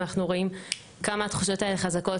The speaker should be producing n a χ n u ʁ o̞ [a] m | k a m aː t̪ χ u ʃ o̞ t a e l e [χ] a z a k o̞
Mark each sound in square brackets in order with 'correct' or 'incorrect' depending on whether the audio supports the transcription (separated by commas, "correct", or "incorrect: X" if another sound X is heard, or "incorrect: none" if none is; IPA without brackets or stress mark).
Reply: incorrect: i, correct